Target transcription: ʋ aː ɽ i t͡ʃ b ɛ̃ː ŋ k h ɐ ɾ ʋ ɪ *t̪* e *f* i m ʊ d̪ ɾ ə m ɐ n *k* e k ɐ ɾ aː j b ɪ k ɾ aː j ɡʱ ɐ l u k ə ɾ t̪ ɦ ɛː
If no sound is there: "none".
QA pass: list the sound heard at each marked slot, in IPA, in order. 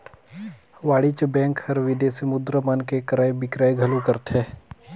d̪, s, k

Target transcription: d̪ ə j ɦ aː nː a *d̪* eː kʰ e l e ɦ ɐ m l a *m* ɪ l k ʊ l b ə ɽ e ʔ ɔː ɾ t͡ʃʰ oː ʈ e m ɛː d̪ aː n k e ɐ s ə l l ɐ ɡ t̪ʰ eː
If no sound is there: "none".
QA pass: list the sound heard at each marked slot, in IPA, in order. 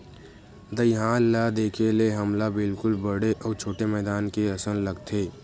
d̪, b

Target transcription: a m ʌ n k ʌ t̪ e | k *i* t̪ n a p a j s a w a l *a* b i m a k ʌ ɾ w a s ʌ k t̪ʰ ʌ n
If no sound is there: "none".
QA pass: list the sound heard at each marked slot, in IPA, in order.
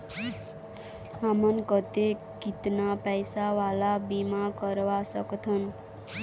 i, a

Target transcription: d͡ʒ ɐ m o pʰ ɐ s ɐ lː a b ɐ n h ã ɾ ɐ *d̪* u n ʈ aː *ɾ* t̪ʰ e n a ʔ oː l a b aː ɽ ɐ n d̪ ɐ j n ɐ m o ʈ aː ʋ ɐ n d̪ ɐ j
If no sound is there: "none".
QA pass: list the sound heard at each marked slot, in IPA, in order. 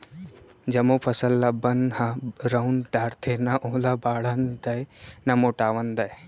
none, ɾ

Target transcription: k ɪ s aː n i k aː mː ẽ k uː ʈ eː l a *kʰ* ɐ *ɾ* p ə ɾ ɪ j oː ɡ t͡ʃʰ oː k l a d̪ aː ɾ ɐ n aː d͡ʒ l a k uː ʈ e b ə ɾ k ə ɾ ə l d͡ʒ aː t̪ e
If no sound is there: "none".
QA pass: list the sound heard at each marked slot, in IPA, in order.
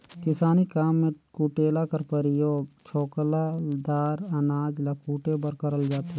k, ɾ

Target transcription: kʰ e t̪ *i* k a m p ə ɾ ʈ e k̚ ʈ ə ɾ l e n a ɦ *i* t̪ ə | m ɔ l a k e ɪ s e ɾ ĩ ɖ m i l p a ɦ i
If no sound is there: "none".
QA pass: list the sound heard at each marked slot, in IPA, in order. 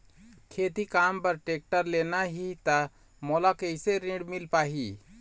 i, i

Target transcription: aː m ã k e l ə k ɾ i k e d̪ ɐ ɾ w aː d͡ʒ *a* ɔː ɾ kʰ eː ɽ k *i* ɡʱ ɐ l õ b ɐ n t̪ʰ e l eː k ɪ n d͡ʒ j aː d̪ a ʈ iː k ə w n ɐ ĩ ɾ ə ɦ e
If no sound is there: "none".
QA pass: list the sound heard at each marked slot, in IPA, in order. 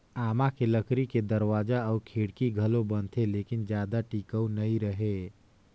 a, i

